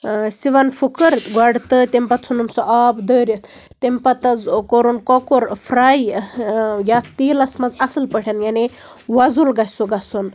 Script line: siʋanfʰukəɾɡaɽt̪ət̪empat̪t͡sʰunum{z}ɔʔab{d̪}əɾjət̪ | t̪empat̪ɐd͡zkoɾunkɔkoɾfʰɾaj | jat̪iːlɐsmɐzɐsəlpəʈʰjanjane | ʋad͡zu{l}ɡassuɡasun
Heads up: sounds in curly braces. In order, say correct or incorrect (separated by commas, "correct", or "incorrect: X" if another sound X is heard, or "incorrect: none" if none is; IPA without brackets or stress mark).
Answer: incorrect: s, correct, correct